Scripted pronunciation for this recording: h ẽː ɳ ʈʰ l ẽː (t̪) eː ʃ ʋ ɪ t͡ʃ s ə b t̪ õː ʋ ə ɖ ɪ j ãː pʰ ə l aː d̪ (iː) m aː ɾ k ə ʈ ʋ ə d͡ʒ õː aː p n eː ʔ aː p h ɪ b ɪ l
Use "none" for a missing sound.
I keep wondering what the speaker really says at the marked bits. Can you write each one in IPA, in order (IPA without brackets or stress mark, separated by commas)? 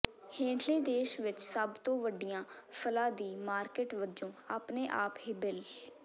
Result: d̪, iː